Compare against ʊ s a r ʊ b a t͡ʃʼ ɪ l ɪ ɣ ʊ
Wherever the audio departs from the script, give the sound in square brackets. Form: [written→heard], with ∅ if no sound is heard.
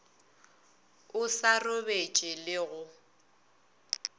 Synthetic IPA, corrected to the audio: ʊ s a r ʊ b [a→e] t͡ʃʼ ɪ l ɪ ɣ ʊ